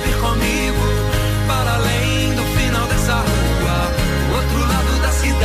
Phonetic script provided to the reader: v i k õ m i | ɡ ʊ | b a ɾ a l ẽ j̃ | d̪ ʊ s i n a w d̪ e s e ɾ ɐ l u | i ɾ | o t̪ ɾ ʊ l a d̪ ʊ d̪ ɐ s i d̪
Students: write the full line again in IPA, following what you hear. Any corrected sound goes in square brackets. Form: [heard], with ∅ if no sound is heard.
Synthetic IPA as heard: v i k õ m i | ɡ ʊ | [p] a ɾ a l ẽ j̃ | d̪ ʊ [f] i n a w d̪ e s [a] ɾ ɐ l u | [a] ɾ | o t̪ ɾ ʊ l a d̪ ʊ d̪ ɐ s i d̪